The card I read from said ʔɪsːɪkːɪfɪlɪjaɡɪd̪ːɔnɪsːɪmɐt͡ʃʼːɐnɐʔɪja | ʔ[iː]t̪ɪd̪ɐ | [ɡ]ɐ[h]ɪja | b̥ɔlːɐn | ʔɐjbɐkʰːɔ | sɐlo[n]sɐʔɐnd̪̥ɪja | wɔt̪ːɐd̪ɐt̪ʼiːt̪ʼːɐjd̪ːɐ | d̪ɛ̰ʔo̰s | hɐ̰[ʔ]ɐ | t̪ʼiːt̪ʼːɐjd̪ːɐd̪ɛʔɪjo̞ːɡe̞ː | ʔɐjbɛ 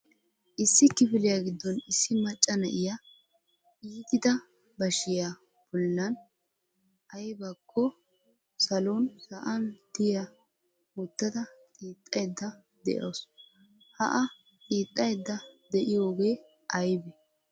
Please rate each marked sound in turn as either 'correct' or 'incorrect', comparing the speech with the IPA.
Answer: correct, incorrect: b, incorrect: ʃ, correct, correct

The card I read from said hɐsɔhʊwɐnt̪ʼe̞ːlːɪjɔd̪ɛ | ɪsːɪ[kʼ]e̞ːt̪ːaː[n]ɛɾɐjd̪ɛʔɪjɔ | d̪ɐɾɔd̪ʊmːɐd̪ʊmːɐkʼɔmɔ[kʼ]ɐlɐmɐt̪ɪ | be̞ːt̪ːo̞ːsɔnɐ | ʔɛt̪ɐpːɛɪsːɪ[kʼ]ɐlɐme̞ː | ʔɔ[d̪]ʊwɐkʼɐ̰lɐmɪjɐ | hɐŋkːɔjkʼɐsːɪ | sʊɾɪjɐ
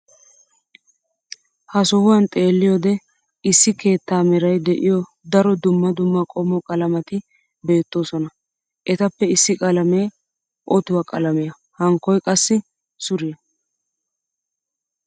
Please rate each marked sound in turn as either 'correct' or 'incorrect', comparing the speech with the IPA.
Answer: incorrect: k, incorrect: m, correct, correct, incorrect: t̪

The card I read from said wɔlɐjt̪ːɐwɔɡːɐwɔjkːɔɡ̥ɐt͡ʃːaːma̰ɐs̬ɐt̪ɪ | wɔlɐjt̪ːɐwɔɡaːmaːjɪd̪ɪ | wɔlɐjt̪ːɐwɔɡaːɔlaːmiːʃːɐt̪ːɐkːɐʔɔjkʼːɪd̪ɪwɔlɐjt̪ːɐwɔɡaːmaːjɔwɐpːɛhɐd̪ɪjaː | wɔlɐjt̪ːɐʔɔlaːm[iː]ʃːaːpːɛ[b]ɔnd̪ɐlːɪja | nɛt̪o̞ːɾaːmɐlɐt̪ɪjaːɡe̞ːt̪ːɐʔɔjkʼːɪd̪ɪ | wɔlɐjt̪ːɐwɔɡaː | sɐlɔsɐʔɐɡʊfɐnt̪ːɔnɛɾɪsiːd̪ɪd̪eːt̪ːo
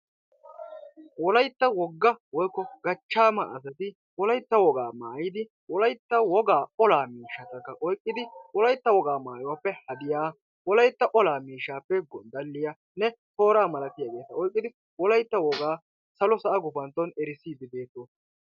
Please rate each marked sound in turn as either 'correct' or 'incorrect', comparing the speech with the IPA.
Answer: correct, incorrect: ɡ

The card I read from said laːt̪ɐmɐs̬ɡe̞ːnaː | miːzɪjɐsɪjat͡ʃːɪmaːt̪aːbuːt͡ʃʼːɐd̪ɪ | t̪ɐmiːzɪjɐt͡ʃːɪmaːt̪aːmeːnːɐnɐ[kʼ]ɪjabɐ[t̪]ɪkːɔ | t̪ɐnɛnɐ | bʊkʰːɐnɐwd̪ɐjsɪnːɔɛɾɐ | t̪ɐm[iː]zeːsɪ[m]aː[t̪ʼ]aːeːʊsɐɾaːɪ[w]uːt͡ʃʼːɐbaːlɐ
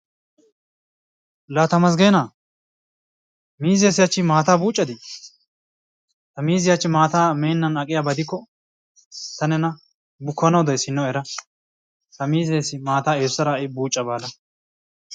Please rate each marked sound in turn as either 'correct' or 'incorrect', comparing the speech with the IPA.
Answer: correct, incorrect: d̪, correct, correct, incorrect: t̪, incorrect: b

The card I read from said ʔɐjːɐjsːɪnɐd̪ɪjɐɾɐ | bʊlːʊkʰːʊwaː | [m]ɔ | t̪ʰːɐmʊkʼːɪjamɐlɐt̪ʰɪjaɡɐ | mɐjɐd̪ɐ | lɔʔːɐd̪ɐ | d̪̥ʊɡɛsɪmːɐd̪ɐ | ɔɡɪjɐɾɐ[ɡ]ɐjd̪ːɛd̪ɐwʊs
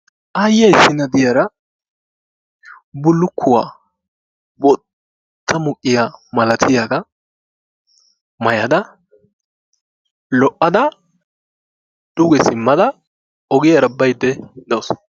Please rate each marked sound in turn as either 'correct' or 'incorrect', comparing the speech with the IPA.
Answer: incorrect: b, incorrect: b

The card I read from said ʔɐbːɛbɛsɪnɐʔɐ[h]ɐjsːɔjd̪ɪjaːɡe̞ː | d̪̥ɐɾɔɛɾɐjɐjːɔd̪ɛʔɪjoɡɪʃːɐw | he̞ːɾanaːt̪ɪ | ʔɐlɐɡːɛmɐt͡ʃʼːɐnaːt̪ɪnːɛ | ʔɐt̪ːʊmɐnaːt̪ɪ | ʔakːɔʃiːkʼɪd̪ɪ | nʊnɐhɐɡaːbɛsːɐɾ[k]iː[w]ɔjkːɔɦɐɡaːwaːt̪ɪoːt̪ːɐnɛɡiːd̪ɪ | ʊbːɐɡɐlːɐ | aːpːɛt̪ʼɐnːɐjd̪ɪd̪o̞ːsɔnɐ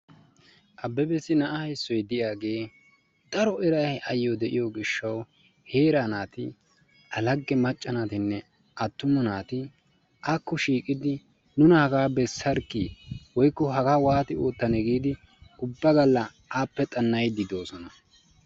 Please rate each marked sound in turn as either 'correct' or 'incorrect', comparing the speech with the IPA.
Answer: correct, correct, correct

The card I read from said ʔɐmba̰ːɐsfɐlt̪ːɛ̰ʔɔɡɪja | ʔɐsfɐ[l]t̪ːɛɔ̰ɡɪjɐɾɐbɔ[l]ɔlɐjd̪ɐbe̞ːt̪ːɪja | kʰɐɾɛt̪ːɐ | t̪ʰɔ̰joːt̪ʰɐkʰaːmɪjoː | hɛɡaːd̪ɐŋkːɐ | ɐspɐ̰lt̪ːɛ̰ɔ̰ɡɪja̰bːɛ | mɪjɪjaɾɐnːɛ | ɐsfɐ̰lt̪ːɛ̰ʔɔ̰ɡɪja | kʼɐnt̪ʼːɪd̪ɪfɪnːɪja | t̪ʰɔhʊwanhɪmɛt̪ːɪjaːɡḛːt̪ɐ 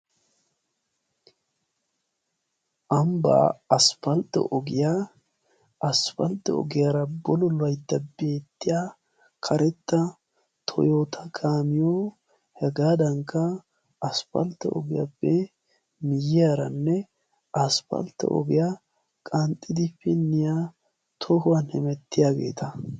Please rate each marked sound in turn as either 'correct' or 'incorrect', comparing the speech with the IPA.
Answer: correct, correct

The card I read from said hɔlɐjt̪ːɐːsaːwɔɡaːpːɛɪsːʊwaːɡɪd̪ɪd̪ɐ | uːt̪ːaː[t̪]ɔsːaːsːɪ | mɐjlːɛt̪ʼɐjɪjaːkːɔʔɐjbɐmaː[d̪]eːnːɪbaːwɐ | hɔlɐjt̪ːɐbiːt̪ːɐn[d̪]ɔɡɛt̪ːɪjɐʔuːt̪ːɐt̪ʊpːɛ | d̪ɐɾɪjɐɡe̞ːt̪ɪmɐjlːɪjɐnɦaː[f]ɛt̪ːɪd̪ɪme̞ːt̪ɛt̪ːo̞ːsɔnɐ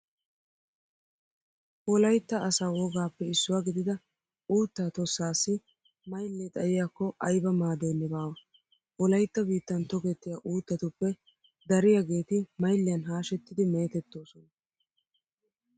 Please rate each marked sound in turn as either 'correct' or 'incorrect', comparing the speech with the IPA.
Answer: correct, correct, incorrect: t̪, incorrect: ʃ

